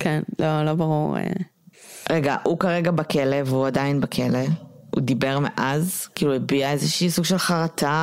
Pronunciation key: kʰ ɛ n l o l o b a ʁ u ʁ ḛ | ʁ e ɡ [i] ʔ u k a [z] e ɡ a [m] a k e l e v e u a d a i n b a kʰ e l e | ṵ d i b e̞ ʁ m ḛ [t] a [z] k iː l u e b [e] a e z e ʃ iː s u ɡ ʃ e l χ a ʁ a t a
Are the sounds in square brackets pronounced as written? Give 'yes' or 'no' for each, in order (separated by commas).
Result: no, no, no, no, yes, no